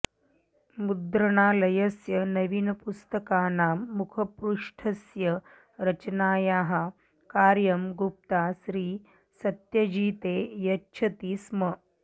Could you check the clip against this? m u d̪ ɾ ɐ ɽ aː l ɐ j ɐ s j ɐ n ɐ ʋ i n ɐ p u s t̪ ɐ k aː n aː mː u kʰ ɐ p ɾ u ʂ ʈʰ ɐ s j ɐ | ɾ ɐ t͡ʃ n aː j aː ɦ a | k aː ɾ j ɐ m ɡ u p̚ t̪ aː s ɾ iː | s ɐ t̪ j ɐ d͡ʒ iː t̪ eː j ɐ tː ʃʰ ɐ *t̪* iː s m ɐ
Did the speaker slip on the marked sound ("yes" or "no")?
no